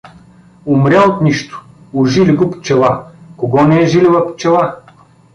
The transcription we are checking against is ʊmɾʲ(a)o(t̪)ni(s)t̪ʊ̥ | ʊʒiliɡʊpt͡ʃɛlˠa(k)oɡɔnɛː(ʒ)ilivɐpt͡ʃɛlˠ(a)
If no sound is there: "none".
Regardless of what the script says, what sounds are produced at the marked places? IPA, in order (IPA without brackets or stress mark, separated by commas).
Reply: a, t̪, ʃ, k, ʒ, a